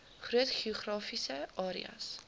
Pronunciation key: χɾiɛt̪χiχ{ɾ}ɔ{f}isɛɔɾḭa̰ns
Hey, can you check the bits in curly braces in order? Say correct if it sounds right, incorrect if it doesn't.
correct, correct

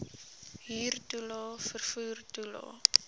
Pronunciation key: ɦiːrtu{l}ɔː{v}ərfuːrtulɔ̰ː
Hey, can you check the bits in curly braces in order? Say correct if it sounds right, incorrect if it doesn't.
correct, incorrect: f

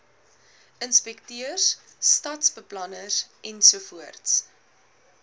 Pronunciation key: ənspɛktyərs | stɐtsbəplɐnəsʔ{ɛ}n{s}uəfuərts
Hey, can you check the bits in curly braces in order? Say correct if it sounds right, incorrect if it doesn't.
correct, correct

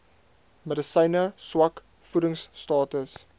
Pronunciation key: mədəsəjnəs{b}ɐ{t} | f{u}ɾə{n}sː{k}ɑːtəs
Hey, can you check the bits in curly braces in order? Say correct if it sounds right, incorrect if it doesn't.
incorrect: w, incorrect: k, correct, incorrect: ŋ, incorrect: t

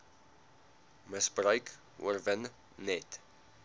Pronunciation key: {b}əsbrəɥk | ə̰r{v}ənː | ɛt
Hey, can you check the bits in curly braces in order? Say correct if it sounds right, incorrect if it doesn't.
incorrect: m, correct

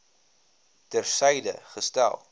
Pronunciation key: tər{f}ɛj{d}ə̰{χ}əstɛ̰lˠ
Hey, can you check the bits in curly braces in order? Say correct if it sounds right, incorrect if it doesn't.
incorrect: s, correct, correct

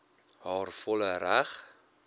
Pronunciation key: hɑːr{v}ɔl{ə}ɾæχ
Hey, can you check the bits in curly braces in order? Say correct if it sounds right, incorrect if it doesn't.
incorrect: f, correct

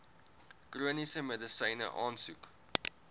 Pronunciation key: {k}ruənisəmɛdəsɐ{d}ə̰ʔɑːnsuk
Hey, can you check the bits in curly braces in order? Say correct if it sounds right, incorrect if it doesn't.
correct, incorrect: n

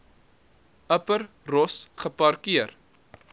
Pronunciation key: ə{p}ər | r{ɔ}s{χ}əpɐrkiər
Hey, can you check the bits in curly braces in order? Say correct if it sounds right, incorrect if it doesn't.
correct, correct, correct

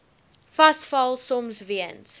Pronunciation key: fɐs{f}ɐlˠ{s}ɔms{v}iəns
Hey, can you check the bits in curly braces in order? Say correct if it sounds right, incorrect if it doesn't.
correct, correct, correct

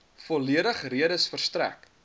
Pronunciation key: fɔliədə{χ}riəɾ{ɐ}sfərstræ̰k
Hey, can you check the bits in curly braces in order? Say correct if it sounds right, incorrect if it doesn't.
correct, incorrect: ə

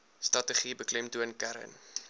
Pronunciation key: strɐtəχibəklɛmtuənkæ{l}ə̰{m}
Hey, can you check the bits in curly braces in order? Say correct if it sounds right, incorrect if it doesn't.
incorrect: ɾ, incorrect: n

